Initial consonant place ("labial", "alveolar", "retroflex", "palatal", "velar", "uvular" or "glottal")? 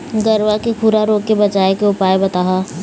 velar